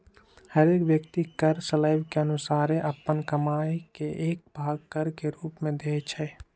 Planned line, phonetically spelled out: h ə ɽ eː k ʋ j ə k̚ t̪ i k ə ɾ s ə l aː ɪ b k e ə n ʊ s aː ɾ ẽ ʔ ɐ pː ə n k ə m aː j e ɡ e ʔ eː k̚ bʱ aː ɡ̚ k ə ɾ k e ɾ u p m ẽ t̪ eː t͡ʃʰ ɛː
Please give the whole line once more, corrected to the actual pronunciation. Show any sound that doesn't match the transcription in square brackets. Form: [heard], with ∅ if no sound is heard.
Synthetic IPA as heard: h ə [ɾ] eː k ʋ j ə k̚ t̪ i k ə ɾ s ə l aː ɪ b k e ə n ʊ s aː ɾ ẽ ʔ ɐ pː ə n k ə m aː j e [k] e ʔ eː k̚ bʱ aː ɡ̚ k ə ɾ k e ɾ [uː] p m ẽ [d̪] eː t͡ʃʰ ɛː